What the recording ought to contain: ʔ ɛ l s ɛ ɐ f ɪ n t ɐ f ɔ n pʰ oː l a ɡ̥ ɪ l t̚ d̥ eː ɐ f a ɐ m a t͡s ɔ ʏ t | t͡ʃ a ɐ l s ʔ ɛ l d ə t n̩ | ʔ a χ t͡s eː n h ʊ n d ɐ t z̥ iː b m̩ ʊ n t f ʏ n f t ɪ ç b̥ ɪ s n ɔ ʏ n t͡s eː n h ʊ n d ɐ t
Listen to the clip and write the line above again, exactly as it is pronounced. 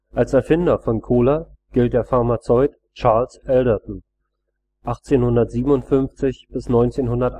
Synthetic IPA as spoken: ʔ a l s ɛ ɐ f ɪ n d ɐ f ɔ n kʰ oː l a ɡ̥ ɪ l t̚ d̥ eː ɐ f a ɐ m a t͡s ɔ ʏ t | t͡ʃ a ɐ l s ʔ ɛ l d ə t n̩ | ʔ a χ t͡s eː n h ʊ n d ɐ t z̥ iː b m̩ ʊ n t f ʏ n f t͡s ɪ ç b̥ ɪ s n ɔ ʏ n t͡s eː n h ʊ n d ɐ t